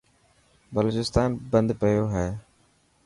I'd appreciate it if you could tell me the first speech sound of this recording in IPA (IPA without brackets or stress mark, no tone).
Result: b